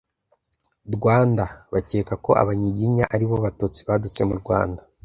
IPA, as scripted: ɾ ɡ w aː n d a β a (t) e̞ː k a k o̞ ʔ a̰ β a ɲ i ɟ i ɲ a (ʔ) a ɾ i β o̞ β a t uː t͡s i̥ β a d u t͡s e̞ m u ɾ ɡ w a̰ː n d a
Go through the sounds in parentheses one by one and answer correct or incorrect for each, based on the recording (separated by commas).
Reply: incorrect, correct